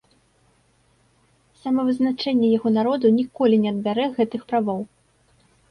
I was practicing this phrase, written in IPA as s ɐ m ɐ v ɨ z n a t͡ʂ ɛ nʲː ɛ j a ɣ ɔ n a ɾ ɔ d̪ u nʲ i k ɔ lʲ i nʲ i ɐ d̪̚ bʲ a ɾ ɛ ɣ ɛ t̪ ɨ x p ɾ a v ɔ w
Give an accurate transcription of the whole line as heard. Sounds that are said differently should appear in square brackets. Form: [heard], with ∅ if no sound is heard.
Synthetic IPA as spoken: s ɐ m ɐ v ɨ z n a t͡ʂ ɛ nʲː ɛ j a ɣ ɔ n a ɾ ɔ d̪ u nʲ i k ɔ lʲ i nʲ [ɛ] ɐ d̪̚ bʲ a ɾ ɛ ɣ ɛ t̪ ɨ x p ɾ a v ɔ w